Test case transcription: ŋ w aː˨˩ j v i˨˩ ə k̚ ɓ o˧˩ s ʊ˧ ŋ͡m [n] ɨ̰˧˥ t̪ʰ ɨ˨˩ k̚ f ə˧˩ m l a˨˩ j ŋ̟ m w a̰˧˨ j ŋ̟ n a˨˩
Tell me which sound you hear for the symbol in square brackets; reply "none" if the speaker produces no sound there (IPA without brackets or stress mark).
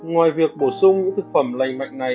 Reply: ɲ